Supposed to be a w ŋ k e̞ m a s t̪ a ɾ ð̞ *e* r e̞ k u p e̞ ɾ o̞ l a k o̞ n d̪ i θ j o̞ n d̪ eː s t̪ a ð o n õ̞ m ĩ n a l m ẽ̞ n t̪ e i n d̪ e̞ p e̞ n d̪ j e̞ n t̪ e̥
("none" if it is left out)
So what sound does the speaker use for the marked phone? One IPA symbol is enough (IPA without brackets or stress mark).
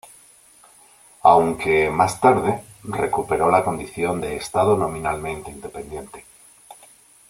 e